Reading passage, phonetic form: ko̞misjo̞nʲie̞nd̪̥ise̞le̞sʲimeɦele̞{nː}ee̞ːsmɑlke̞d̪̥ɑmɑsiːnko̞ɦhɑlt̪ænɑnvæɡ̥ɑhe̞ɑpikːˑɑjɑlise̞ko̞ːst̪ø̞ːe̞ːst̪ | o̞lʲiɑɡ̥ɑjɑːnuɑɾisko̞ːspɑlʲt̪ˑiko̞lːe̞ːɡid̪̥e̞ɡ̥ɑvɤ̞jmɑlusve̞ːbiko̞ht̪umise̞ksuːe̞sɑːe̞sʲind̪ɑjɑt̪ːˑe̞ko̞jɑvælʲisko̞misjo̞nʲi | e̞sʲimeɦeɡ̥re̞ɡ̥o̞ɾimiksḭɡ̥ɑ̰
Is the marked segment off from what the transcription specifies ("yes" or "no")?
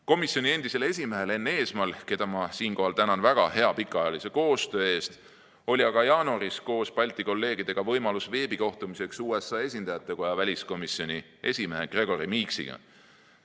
no